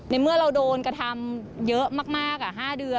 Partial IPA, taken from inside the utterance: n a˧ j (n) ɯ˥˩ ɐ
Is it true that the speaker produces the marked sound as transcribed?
no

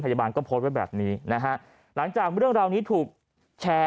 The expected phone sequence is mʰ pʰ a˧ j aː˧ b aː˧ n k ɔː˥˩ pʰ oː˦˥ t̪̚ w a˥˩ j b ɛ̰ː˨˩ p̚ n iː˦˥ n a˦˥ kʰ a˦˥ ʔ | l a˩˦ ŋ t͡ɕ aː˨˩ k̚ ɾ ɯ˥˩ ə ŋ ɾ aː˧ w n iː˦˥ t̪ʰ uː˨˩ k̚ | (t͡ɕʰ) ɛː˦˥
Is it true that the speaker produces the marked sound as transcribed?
yes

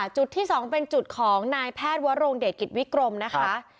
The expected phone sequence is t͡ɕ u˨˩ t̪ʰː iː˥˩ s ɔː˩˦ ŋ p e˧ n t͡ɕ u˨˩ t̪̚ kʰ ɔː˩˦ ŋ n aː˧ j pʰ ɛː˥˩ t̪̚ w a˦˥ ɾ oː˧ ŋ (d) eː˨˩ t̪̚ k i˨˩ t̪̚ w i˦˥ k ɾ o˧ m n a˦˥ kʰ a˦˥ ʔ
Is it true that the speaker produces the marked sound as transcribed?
yes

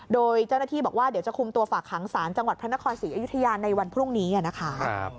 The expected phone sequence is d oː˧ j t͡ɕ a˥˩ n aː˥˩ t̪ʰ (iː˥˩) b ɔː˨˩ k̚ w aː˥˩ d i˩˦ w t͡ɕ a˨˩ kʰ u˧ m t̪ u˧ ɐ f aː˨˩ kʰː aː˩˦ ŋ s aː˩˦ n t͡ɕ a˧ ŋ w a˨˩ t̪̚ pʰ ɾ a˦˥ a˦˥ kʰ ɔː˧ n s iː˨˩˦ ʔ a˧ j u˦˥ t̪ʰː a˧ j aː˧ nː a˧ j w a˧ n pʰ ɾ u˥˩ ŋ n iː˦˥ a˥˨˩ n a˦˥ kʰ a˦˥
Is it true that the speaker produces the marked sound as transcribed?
yes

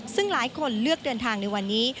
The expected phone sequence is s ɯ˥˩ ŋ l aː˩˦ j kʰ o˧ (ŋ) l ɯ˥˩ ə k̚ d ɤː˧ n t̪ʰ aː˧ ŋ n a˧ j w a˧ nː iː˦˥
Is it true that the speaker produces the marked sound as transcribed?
no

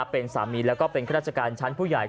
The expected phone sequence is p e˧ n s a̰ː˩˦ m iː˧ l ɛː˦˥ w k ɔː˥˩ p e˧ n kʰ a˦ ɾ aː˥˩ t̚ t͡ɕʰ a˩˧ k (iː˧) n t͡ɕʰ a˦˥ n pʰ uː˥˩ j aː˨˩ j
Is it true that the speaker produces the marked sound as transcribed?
no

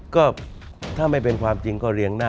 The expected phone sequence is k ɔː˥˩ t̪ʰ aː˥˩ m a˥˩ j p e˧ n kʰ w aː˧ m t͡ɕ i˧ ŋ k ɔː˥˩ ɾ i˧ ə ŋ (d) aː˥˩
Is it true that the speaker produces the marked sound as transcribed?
no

